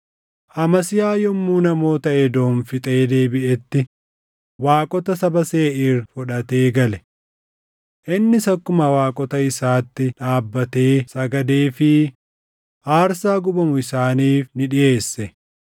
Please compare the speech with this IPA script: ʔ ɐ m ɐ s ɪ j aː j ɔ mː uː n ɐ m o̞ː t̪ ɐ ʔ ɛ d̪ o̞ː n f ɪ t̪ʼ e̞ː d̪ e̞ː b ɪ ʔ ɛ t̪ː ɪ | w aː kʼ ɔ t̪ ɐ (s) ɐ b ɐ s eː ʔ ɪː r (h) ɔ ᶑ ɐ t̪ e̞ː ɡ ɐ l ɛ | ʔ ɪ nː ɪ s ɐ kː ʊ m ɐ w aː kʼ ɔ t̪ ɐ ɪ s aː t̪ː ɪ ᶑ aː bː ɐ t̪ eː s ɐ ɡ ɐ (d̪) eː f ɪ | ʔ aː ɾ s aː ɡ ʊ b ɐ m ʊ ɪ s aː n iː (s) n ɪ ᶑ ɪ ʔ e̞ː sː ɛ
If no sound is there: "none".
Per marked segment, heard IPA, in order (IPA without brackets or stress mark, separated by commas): s, f, d̪, f